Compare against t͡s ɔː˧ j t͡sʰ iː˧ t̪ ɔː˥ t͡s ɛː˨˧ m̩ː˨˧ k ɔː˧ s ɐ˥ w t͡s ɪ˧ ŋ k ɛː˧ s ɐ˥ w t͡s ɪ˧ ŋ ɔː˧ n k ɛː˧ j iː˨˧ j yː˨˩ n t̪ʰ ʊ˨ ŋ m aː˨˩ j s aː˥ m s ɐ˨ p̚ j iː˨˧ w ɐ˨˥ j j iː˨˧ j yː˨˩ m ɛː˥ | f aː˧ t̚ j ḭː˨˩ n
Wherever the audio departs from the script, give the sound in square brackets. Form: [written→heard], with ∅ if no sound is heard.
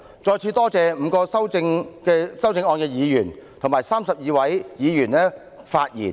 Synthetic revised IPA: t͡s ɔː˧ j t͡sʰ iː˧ t̪ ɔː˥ t͡s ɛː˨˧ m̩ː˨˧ k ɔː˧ s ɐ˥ w t͡s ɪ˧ ŋ k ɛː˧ s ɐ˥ w t͡s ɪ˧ ŋ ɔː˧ n k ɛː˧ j iː˨˧ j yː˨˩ n t̪ʰ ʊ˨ ŋ m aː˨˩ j s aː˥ m s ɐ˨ p̚ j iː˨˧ w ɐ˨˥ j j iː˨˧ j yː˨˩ [m→n] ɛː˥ | f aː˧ t̚ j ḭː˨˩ n